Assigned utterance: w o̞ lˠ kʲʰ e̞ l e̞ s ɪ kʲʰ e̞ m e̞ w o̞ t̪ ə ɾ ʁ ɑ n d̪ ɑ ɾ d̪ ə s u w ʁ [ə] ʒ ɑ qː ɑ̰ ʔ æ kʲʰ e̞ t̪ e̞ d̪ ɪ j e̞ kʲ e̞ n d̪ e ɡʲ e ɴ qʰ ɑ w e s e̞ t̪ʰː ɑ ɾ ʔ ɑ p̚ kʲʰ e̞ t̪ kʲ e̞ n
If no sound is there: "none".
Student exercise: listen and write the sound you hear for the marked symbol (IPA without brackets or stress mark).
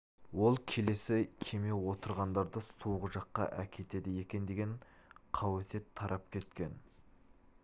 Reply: ə